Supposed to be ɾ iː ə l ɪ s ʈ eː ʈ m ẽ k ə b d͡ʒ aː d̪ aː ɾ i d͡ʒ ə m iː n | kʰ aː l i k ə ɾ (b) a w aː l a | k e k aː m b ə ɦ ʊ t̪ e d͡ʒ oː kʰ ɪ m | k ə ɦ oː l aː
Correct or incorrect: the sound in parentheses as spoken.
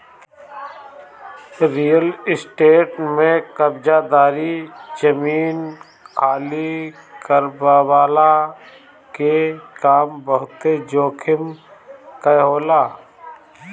correct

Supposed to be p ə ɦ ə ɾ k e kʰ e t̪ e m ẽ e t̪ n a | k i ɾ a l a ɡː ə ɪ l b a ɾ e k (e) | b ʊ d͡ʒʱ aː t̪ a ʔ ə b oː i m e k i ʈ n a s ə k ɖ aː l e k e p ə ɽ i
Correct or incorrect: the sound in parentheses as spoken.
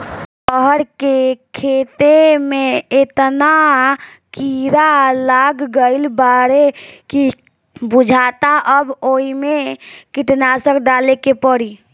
incorrect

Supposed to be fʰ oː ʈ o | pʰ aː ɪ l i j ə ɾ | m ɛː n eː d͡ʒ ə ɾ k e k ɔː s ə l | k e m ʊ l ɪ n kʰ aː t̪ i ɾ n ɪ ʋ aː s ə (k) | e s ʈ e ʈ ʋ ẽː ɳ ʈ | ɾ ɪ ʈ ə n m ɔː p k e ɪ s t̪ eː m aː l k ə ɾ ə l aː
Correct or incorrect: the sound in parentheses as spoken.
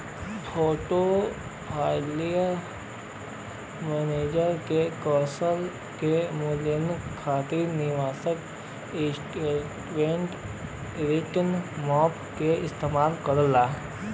correct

